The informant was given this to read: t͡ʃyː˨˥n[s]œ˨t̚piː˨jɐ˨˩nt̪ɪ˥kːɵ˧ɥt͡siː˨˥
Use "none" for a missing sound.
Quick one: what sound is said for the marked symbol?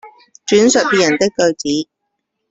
s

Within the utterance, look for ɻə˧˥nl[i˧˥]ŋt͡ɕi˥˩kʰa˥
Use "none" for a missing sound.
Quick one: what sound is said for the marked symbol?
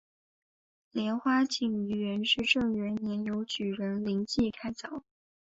i˧˥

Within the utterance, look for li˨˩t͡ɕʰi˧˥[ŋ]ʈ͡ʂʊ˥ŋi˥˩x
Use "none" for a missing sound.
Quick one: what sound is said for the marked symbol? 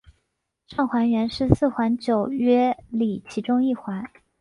none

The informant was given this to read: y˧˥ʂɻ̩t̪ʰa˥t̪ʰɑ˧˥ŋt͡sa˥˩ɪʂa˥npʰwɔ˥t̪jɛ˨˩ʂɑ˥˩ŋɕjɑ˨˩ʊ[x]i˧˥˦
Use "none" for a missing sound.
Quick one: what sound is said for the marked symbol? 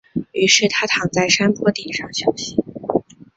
ɕ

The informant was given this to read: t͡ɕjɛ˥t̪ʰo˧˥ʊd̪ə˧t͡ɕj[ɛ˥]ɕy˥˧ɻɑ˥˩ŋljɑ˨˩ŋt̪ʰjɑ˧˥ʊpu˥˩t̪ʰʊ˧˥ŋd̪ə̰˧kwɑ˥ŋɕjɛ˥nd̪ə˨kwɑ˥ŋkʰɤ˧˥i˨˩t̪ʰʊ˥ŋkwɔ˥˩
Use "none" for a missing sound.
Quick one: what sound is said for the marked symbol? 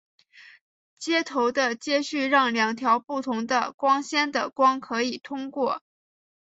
ɛ˥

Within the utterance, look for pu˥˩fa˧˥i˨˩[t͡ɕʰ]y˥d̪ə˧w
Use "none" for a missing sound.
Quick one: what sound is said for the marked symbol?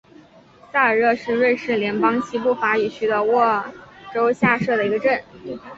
t͡ɕʰ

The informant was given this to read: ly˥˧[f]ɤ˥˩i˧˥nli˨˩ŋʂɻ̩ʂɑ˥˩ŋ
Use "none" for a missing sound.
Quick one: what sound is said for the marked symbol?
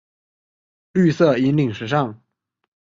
s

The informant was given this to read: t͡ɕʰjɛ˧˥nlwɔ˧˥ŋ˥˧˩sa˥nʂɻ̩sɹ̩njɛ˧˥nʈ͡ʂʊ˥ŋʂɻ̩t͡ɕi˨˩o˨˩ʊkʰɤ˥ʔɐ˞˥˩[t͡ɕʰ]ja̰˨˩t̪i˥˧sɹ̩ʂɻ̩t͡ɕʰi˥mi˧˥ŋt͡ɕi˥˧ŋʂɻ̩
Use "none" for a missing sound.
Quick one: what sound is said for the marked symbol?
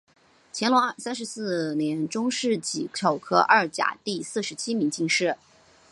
t͡ɕ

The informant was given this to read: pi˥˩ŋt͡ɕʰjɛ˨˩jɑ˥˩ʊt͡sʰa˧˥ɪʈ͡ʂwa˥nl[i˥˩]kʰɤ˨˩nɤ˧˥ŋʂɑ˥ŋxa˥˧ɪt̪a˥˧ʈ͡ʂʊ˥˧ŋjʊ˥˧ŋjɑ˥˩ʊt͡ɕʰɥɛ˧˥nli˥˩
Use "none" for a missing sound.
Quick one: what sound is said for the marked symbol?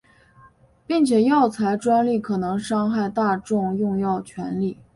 i˥˩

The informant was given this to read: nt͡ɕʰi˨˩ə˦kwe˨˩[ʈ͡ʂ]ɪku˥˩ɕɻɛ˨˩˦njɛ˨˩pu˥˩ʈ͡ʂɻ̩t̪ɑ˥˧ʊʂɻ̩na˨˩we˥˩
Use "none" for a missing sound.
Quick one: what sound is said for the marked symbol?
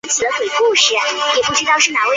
none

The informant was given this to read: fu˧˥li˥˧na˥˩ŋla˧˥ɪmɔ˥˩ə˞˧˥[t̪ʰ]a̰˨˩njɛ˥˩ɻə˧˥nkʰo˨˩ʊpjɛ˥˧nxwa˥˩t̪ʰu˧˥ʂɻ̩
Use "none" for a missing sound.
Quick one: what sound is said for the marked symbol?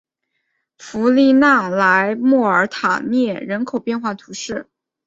t̪ʰ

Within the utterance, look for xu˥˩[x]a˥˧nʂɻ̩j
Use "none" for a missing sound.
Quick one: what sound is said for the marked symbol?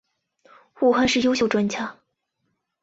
x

